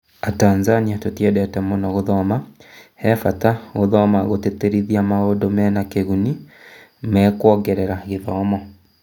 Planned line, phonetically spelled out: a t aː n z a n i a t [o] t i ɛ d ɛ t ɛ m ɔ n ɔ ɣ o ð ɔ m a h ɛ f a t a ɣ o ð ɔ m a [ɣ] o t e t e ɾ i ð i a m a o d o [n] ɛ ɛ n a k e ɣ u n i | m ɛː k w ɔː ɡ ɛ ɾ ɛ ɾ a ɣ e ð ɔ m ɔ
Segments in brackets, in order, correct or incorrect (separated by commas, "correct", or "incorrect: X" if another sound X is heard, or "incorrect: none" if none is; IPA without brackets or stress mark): correct, correct, incorrect: m